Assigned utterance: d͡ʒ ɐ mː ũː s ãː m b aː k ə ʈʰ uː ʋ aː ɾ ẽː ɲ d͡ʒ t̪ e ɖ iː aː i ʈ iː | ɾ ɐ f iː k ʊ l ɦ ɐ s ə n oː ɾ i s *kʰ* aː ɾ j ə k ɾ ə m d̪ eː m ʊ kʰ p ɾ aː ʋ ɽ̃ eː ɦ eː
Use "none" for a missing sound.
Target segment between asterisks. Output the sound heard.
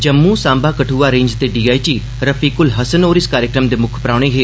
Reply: k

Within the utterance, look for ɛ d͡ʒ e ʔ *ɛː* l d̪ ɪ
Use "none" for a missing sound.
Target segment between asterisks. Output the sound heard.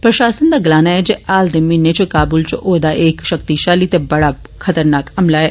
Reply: aː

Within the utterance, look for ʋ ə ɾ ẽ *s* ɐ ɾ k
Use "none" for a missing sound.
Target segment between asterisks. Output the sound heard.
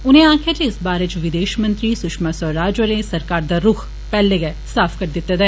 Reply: s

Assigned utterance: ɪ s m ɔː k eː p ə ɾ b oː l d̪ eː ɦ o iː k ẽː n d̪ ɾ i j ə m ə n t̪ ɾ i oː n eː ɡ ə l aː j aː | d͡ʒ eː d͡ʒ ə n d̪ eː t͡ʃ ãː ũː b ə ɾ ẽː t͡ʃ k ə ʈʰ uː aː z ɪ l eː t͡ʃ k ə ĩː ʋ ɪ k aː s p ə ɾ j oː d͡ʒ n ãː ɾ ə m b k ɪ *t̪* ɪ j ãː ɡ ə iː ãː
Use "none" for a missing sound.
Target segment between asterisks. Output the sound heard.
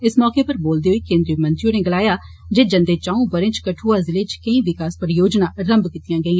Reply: t̪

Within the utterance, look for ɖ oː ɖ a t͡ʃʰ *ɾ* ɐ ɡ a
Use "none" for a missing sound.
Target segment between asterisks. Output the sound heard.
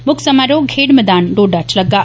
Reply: l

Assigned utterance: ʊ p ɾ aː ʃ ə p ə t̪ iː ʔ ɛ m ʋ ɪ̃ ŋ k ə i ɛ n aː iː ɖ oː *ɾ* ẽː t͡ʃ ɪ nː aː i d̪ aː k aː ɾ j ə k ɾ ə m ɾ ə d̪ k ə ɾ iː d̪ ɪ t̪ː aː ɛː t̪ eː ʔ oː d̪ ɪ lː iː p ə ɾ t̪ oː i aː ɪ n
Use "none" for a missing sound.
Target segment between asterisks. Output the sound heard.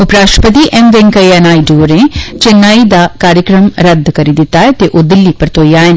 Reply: ɾ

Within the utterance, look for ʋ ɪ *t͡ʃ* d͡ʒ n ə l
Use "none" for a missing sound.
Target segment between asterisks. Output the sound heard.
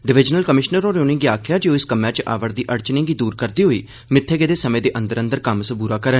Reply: none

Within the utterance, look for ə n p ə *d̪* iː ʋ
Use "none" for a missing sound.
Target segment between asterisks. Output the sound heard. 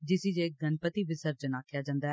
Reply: t̪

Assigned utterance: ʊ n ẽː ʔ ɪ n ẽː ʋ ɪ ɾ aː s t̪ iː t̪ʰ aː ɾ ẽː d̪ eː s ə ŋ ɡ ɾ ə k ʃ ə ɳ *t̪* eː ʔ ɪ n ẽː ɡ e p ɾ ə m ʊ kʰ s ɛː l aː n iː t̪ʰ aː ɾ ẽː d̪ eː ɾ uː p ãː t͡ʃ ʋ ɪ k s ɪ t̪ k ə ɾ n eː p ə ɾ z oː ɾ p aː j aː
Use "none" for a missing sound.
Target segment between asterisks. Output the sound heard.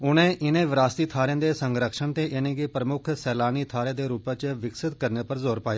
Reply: t̪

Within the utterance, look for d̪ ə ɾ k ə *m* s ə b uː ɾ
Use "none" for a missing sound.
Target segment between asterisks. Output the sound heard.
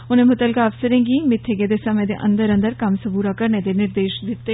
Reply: m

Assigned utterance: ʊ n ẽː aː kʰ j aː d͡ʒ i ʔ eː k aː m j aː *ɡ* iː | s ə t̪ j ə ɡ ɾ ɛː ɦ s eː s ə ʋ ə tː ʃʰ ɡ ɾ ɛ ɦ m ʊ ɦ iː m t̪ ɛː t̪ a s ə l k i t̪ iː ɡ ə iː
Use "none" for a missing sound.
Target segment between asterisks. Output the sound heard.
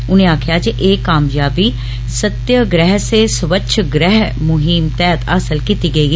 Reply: b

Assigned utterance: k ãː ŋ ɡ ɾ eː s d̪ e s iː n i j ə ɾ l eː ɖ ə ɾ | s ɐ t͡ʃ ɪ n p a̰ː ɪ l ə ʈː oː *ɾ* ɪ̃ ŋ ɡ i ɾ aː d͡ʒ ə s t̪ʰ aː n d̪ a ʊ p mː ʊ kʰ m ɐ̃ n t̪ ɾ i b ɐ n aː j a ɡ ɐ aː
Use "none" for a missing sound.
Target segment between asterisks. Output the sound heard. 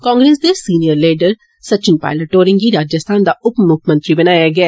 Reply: ɾ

